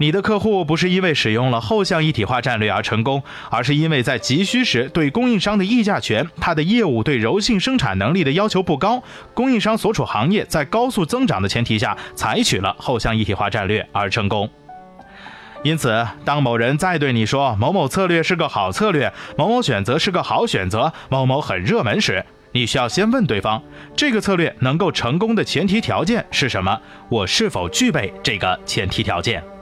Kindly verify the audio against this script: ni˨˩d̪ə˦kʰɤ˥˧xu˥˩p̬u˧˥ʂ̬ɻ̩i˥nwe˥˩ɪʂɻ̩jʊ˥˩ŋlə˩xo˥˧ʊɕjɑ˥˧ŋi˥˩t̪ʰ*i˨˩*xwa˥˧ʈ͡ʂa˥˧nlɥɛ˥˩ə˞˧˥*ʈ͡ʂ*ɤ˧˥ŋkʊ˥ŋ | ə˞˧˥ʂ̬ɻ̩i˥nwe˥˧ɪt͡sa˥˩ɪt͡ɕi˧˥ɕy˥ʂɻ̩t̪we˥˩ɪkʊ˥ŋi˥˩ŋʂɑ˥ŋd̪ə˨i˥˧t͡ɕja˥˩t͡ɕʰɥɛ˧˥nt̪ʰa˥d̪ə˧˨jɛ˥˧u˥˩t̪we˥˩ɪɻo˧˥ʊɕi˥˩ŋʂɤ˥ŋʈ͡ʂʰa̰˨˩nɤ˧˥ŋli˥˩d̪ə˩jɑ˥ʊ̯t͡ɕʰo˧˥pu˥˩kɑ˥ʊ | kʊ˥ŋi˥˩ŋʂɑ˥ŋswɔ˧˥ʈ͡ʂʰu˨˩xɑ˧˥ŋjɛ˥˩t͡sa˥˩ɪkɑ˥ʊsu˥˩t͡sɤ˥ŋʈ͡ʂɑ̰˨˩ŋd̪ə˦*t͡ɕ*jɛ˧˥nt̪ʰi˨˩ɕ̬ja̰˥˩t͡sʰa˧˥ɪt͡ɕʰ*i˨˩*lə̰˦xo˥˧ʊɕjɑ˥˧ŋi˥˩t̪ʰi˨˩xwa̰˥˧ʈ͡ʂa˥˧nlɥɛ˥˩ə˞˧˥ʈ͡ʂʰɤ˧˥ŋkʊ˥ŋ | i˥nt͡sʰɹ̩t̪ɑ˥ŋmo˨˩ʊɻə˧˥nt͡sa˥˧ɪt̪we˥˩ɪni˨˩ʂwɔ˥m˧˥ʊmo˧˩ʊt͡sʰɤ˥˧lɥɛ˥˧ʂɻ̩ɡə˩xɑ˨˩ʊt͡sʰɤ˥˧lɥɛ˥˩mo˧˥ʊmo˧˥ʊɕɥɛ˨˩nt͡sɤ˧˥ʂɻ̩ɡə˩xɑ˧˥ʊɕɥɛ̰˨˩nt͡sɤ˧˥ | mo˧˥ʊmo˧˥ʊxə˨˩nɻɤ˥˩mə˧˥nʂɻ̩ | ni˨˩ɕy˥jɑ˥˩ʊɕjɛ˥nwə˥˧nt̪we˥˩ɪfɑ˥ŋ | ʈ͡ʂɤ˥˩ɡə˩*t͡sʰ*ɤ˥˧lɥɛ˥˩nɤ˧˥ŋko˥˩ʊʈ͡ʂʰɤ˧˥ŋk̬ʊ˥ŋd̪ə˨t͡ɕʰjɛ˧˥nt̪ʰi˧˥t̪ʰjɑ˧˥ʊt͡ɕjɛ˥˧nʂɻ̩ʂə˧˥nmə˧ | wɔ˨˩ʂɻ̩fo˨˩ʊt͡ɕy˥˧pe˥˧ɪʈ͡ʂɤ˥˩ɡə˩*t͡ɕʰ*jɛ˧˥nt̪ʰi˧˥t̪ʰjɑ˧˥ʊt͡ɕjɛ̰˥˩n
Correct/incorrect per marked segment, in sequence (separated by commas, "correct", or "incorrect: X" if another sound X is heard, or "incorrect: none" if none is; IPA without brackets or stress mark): correct, incorrect: ʈ͡ʂʰ, incorrect: t͡ɕʰ, incorrect: y˨˩, correct, correct